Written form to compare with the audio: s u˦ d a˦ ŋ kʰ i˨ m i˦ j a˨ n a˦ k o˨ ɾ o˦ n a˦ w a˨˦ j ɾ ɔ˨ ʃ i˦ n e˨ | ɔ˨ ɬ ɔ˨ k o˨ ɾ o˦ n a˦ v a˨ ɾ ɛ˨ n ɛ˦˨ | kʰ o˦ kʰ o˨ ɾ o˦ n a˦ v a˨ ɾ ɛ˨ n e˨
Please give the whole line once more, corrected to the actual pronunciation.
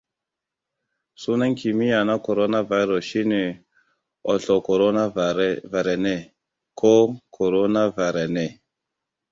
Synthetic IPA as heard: s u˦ n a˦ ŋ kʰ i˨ m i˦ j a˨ n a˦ k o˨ ɾ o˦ n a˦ v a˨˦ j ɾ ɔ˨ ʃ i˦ n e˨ | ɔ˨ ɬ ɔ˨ k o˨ ɾ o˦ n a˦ v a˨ ɾ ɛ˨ n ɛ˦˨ | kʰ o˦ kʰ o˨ ɾ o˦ n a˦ v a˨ ɾ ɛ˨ n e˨